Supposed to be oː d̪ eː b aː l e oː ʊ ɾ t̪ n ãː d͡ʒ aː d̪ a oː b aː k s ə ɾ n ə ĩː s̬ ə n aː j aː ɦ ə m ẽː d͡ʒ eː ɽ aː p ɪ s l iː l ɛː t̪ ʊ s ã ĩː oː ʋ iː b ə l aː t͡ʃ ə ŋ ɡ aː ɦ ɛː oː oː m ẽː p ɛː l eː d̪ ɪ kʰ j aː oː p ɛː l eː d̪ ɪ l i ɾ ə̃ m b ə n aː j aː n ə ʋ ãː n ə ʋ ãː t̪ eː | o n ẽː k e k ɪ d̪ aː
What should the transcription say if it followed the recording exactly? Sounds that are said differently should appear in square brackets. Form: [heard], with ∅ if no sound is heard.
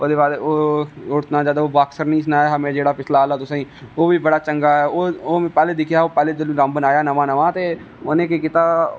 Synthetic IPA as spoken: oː d̪ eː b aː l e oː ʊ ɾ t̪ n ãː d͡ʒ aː d̪ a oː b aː k s ə ɾ n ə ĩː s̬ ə n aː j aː ɦ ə m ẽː d͡ʒ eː ɽ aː p ɪ s l [aː] l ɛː t̪ ʊ s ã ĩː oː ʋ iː b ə [ɽ] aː t͡ʃ ə ŋ ɡ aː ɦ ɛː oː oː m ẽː p ɛː l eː d̪ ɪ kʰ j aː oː p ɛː l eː d̪ ɪ l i ɾ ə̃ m b ə n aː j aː n ə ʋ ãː n ə ʋ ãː t̪ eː | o n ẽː k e k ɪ [t̪] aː